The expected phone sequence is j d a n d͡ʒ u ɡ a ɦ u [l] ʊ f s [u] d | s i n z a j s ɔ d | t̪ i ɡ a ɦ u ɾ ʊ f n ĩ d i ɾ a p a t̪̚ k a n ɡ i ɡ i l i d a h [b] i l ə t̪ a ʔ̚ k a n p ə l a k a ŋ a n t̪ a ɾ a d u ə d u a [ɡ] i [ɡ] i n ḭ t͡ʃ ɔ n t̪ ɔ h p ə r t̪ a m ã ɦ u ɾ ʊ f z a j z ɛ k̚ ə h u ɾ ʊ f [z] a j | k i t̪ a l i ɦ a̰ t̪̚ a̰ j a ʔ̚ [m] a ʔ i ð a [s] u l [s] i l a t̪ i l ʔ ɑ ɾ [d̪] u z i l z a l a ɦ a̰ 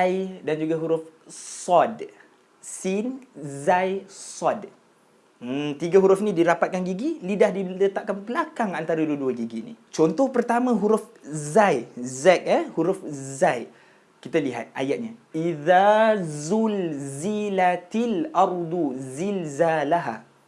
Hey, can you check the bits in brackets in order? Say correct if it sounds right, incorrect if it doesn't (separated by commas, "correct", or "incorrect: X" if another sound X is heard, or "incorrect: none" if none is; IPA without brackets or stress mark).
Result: incorrect: ɾ, incorrect: ɔ, incorrect: d, correct, correct, correct, incorrect: ɲ, incorrect: z, incorrect: z, correct